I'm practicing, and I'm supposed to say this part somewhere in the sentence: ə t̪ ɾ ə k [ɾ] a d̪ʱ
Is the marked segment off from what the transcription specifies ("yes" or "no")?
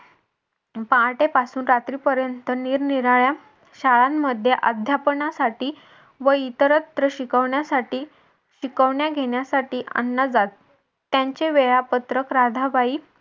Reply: no